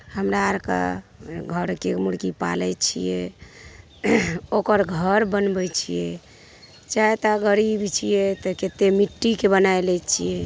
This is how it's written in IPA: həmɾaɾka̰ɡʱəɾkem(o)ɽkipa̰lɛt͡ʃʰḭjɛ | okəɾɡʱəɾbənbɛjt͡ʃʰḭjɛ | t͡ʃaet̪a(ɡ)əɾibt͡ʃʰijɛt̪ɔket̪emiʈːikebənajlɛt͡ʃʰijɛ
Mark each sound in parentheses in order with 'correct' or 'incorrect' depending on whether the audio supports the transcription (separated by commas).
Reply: incorrect, correct